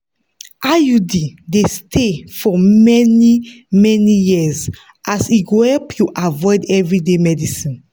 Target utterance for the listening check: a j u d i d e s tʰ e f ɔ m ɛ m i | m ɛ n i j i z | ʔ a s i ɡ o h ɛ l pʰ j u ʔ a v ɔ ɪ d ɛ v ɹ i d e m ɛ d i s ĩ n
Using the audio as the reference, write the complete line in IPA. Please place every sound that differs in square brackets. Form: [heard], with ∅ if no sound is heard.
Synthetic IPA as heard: a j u d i d e s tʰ e f ɔ m ɛ [n] i | m ɛ n i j i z | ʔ a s i ɡ o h ɛ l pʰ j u ʔ a v ɔ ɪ d ɛ v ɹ i d e m ɛ d i s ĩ n